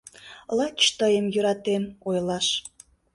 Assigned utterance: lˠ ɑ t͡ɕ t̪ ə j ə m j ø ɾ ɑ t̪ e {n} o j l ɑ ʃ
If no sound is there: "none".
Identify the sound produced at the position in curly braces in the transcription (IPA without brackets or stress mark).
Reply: m